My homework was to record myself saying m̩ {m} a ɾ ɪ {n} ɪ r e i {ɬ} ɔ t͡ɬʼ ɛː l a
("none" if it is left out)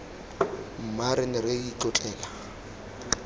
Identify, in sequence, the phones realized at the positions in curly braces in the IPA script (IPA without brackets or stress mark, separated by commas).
m, n, t͡ɬ